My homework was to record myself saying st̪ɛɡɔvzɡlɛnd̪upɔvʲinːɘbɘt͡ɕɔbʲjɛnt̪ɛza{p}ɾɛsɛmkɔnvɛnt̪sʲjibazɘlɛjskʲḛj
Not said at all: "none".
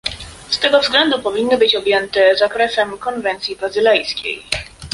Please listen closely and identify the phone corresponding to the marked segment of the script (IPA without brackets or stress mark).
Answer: k